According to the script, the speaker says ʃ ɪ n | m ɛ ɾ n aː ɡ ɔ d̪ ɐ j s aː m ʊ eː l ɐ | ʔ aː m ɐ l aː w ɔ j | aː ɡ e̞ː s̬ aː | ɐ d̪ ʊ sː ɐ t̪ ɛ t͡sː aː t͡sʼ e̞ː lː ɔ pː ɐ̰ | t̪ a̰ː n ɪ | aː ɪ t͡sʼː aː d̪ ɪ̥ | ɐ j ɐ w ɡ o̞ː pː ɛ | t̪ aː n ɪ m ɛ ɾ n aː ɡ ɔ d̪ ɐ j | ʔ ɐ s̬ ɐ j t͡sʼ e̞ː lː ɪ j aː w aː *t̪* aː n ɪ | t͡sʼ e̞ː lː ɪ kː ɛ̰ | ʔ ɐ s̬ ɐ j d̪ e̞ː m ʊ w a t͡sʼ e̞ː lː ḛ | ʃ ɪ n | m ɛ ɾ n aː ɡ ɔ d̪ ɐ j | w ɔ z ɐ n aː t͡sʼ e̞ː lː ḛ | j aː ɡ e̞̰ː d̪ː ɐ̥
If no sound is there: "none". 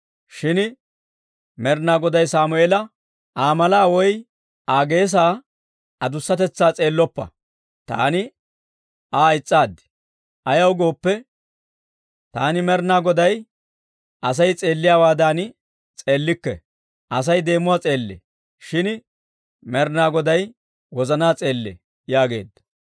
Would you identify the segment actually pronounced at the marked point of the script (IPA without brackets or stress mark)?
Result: d̪